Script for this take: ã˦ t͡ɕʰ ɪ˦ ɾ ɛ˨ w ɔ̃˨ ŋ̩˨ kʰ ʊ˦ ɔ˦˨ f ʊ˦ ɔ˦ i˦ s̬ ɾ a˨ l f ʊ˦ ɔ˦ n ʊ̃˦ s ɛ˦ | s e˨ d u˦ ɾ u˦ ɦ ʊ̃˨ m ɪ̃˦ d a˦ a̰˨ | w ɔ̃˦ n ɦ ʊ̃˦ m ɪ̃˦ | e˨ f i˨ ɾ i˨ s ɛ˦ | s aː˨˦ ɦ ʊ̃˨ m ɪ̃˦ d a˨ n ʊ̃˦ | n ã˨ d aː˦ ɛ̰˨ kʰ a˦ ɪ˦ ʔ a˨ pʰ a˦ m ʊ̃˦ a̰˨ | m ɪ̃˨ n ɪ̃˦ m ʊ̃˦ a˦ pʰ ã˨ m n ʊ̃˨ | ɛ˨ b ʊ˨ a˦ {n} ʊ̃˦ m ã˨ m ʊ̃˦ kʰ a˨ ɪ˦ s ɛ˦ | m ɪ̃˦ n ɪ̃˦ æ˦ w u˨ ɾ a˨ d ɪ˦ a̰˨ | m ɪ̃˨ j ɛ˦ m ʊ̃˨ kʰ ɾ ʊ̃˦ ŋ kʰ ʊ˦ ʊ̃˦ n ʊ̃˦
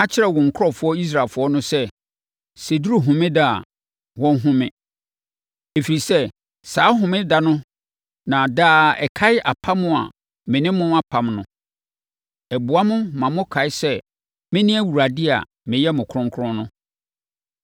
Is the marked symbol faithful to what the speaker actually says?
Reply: no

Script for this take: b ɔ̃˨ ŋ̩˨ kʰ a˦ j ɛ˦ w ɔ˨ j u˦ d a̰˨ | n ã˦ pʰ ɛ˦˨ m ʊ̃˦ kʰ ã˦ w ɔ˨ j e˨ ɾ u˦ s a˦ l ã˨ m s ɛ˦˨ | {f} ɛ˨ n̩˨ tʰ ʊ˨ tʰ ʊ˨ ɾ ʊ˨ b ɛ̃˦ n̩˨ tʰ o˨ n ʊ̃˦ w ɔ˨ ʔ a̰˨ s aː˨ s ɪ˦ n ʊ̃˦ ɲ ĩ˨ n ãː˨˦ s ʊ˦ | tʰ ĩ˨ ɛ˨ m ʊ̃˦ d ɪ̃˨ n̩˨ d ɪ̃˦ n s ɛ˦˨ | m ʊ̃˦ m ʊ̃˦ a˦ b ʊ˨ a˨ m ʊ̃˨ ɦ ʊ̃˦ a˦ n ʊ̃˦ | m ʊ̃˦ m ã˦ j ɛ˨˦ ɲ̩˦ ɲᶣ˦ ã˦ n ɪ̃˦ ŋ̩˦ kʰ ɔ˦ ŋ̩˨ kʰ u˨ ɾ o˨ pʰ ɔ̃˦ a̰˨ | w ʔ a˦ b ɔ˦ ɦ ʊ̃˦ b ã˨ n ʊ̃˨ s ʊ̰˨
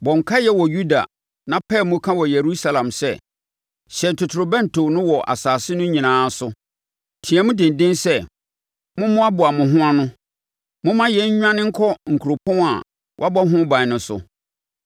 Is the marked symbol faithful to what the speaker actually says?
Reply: no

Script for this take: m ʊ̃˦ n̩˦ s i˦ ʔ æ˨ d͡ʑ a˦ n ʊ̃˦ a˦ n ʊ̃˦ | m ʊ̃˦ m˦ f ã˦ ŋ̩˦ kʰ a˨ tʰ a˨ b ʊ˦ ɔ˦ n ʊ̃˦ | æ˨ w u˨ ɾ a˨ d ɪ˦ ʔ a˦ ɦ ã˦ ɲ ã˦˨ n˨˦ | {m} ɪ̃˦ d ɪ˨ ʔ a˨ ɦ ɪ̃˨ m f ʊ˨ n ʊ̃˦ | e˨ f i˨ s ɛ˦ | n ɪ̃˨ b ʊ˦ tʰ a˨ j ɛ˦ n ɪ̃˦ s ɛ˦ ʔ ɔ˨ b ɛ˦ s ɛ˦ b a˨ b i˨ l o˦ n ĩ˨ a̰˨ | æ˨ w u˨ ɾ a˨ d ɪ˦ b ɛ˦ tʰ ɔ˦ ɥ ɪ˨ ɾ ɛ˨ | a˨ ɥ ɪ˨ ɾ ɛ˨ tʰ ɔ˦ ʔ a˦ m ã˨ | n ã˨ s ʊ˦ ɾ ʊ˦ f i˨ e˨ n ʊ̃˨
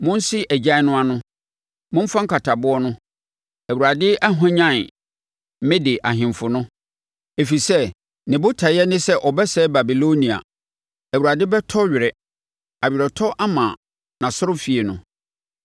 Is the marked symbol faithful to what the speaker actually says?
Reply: yes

